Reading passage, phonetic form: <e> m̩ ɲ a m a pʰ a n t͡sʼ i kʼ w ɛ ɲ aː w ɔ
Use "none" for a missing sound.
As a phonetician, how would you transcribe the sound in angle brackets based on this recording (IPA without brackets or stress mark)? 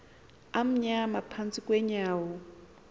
a